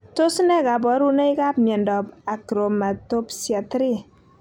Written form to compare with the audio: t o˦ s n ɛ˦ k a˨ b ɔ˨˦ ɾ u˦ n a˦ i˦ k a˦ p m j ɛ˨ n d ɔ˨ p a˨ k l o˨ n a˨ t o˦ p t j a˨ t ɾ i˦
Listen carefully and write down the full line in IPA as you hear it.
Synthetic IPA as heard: t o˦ s n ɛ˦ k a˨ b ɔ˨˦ ɾ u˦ n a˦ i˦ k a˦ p m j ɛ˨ n d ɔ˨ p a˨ k ɾ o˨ m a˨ t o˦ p s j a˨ t ɾ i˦

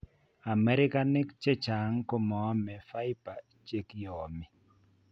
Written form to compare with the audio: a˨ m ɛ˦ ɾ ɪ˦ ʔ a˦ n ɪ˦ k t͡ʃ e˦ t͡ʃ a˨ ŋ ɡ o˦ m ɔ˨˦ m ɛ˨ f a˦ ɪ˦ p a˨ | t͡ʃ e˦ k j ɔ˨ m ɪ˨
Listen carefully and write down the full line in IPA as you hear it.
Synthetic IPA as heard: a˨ m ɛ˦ ɾ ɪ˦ k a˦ n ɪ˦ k t͡ʃ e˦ t͡ʃ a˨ ŋ k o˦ m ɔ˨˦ m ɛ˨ f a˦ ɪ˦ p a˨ | t͡ʃ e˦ k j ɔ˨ m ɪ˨

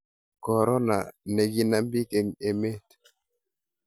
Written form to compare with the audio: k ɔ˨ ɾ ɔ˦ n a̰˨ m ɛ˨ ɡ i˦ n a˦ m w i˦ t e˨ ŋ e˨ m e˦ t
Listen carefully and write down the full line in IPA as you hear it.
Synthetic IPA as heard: k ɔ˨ ɾ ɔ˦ n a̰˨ n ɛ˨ ɡ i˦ n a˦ m b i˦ k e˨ ŋ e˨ m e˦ t

